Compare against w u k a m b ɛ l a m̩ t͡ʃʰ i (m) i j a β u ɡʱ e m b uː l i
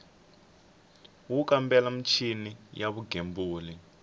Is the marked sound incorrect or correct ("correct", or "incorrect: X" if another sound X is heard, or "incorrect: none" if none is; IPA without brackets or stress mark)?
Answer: incorrect: n